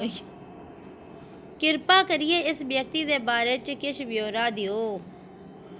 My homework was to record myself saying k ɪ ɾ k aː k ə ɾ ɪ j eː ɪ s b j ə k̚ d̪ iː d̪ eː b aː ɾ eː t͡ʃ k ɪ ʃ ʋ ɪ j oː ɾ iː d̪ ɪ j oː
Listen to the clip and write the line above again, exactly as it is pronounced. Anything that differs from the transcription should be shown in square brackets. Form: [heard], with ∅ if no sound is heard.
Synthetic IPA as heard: k ɪ ɾ [p] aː k ə ɾ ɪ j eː ɪ s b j ə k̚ [t̪] iː d̪ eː b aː ɾ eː t͡ʃ k ɪ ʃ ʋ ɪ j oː ɾ [aː] d̪ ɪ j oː